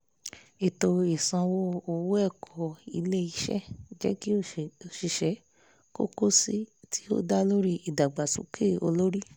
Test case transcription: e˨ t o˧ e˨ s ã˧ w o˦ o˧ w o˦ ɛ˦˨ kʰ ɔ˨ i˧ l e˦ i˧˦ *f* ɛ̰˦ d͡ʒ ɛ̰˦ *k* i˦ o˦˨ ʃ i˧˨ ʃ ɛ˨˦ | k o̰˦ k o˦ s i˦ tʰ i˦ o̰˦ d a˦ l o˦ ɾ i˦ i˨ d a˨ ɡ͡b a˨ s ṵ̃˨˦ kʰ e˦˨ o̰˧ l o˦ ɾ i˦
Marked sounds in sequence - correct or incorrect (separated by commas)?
incorrect, correct